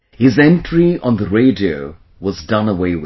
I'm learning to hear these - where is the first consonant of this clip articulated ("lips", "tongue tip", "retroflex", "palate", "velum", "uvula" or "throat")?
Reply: throat